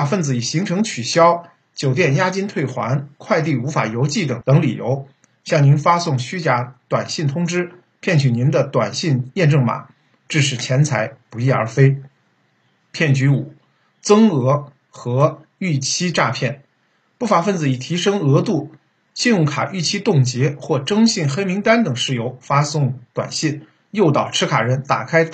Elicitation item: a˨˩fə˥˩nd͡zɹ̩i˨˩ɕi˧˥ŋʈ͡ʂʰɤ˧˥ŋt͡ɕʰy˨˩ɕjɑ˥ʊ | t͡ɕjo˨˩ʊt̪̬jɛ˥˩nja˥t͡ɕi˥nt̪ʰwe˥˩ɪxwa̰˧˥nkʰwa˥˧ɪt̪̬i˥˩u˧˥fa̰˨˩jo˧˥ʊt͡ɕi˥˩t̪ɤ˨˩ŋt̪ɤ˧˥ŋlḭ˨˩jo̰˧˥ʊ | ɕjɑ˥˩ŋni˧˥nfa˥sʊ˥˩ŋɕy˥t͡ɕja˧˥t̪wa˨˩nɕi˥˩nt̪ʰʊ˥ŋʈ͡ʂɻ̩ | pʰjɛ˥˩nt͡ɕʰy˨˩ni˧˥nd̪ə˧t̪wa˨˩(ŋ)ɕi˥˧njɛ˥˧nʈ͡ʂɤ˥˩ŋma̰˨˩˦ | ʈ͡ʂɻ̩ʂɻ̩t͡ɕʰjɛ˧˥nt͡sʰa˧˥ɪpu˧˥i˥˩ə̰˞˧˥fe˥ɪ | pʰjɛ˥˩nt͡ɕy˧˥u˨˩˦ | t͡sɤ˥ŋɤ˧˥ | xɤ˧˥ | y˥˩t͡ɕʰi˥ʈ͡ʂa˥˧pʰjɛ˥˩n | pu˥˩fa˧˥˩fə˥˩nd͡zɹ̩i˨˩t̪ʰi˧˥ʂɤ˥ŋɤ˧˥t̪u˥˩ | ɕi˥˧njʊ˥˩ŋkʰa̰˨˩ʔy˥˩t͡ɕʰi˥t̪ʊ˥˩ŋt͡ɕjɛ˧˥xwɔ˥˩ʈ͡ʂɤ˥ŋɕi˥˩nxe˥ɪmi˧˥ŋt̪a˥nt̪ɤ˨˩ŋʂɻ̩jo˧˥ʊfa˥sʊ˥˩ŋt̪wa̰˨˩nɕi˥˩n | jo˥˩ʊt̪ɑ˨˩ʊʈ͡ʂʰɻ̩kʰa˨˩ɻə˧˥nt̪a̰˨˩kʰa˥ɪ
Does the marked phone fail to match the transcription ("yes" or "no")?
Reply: yes